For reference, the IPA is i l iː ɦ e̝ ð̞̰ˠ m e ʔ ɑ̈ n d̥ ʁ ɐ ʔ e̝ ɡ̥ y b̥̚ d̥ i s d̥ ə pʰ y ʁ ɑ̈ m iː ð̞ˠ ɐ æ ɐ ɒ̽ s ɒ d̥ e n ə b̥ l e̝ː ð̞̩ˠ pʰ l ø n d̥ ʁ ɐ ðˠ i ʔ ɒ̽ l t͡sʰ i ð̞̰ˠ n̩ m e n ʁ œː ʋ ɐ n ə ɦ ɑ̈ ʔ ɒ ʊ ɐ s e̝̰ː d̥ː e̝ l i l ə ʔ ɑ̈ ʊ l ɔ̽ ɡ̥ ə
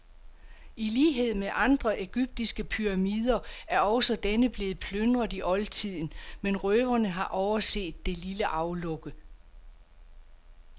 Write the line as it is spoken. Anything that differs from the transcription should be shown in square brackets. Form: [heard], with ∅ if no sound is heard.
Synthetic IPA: i l iː ɦ e̝ ð̞̰ˠ m e ʔ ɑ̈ n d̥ ʁ ɐ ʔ e̝ ɡ̥ y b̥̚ d̥ i s [ɡ̥] ə pʰ y ʁ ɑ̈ m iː ð̞ˠ ɐ æ ɐ ɒ̽ s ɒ d̥ e n ə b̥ l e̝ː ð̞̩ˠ pʰ l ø n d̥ ʁ ɐ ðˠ i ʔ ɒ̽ l t͡sʰ i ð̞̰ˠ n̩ m e n ʁ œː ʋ ɐ n ə ɦ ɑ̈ ʔ ɒ ʊ ɐ s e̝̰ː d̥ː e̝ l i l ə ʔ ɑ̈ ʊ l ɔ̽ ɡ̥ ə